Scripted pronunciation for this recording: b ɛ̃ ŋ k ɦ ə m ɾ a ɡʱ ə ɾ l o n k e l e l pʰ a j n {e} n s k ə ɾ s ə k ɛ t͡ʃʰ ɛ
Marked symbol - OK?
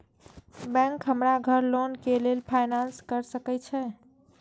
no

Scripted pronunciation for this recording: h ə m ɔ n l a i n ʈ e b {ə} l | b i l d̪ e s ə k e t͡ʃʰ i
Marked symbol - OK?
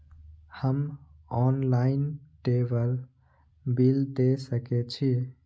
yes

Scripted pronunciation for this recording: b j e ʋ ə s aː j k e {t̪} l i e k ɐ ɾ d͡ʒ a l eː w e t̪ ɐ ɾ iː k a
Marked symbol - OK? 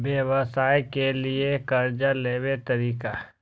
no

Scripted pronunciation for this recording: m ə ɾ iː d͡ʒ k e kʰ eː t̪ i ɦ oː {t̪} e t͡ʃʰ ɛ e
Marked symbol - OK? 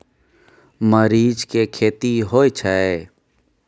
no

